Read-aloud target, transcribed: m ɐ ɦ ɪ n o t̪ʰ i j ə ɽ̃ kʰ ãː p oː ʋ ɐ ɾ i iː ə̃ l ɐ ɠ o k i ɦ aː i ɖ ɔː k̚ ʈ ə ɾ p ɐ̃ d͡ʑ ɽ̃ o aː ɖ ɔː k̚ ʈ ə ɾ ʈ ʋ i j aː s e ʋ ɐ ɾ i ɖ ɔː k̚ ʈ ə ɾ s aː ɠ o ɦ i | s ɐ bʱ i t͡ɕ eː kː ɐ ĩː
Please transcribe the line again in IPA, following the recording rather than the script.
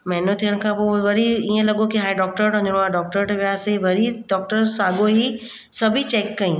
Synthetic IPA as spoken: m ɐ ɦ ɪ n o t̪ʰ i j ə ɽ̃ kʰ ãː p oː ʋ ɐ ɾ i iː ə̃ l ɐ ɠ o k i ɦ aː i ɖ ɔː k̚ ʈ ə ɾ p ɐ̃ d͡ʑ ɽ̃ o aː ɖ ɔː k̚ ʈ ə ɾ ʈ ʋ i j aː s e ʋ ɐ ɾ i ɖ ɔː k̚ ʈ ə ɾ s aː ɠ o ɦ i | s ɐ bʱ i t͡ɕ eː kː ɐ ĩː